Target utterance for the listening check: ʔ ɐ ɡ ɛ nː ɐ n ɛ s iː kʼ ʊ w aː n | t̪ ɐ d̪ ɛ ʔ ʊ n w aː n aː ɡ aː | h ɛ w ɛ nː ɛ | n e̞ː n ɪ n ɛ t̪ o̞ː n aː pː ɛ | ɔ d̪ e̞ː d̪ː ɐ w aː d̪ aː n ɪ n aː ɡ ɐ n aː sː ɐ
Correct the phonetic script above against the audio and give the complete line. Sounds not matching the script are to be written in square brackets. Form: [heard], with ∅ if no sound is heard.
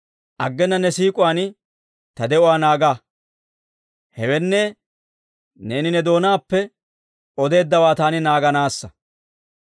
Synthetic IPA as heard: ʔ ɐ [ɡː] ɛ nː ɐ n ɛ s iː kʼ ʊ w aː n | t̪ ɐ d̪ ɛ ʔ ʊ [∅] w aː n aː ɡ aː | h ɛ w ɛ nː ɛ | n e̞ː n ɪ n ɛ [d̪] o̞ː n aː pː ɛ | ɔ d̪ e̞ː d̪ː ɐ w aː [t̪] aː n ɪ n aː ɡ ɐ n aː sː ɐ